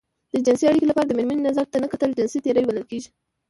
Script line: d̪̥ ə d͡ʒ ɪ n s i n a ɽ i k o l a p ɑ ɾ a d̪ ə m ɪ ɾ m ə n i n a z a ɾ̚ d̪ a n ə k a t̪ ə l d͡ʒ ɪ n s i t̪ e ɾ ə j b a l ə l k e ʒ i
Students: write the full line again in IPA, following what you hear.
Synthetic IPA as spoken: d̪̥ ə d͡ʒ ɪ n s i a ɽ i k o l a p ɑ ɾ a d̪ ə m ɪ ɾ m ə n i n a z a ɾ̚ t̪ a n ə k a t̪ ə l d͡ʒ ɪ n s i t̪ e ɾ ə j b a l ə l k e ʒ i

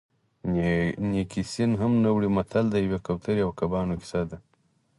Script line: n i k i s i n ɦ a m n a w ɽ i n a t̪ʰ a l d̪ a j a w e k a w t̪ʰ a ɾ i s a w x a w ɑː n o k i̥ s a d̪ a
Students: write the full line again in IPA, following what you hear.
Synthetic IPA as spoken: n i k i s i n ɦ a m n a w ɽ i m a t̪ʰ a l d̪ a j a w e k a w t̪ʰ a ɾ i a w k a b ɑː n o k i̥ s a d̪ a

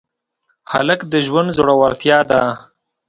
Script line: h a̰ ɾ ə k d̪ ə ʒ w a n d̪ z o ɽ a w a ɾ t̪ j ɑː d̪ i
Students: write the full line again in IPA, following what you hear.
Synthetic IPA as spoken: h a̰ l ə k d̪ ə ʒ w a n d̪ z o ɽ a w a ɾ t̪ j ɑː d̪ a

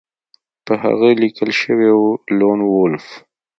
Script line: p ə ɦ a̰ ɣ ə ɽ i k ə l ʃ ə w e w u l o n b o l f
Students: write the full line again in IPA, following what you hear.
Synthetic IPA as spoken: p ə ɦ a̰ ɣ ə l i k ə l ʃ ə w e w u l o n w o l f

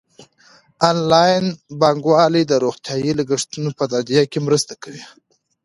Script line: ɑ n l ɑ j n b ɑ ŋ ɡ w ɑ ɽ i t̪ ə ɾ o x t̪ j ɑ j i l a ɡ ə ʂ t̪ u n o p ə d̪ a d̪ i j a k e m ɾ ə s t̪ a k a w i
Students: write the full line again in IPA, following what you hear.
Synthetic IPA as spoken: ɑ n l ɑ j n b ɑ ŋ ɡ w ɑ l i d̪ ə ɾ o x t̪ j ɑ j i l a ɡ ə ʂ t̪ u n o p ə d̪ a d̪ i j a k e m ɾ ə s t̪ a k a w i

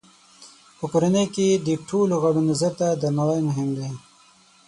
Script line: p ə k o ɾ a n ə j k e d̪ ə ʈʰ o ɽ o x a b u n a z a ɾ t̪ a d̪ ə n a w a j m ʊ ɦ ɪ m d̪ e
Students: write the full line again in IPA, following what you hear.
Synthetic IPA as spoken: p ə k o ɾ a n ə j k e d̪ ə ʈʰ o l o ɣ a b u n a z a ɾ t̪ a d̪ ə n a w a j m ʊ ɦ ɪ m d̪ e

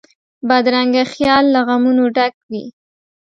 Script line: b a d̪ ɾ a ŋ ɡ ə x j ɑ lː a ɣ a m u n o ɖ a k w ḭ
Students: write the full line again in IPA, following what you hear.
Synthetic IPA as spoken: b a d̪ ɾ a ŋ ɡ a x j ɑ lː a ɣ a m u n o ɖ a k w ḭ

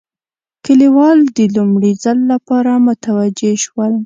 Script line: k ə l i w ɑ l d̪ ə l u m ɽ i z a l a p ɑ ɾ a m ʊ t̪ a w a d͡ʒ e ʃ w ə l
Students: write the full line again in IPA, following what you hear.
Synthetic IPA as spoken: k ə l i w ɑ l d̪ ə l u m ɽ i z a lː a p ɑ ɾ a m ʊ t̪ a w a d͡ʒ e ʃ w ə l

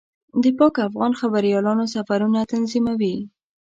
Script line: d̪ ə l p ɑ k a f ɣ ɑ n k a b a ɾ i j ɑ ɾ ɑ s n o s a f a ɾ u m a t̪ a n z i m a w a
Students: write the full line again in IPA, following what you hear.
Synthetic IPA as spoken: d̪ ə p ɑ k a f ɣ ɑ n x a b a ɾ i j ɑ l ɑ n o s a f a ɾ u n a t̪ a n z i m a w i

